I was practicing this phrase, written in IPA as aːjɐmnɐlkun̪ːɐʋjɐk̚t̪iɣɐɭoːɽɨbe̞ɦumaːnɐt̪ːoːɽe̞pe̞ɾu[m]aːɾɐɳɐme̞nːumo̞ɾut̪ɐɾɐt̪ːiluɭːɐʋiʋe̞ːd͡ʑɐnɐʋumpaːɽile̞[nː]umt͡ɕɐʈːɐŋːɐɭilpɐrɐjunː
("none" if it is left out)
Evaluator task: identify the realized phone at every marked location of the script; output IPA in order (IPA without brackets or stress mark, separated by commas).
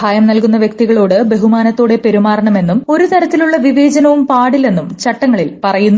m, nː